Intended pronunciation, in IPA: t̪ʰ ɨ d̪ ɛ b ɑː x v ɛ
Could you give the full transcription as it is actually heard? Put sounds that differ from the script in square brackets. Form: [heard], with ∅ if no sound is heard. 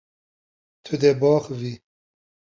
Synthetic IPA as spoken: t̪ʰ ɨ d̪ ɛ b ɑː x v [i]